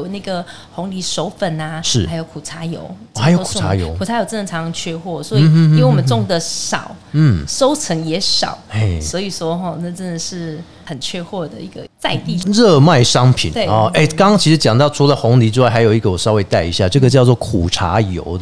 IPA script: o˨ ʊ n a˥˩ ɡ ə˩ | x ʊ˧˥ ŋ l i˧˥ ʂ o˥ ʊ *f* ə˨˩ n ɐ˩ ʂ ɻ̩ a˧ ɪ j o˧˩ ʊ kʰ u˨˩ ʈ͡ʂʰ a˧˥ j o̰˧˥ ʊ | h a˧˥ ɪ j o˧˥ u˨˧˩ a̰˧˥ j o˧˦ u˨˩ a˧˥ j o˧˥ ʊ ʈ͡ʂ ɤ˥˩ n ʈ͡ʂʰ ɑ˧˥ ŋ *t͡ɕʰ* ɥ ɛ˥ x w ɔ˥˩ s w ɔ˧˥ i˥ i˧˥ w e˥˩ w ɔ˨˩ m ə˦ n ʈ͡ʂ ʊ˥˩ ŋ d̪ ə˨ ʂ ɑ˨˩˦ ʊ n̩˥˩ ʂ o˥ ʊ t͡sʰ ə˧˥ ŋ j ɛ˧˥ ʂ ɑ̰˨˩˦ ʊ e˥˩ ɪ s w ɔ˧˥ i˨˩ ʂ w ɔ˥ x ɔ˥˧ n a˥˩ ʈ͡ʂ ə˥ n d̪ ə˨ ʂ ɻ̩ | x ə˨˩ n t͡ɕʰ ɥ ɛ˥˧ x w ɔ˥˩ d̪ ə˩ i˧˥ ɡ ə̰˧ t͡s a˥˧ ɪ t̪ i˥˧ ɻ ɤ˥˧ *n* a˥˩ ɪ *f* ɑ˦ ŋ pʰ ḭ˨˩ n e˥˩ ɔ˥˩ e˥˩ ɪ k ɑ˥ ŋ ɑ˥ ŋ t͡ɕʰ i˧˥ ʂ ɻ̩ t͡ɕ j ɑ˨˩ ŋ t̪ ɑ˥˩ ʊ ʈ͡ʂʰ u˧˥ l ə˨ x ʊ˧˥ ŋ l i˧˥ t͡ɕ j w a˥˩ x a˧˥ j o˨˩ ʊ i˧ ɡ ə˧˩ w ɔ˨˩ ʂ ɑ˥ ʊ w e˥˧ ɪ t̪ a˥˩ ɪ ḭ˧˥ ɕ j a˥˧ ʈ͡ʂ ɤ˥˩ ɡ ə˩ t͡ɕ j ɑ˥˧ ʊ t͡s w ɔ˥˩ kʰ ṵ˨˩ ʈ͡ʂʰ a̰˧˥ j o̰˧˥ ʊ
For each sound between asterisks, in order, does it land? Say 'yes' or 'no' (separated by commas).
yes, yes, no, no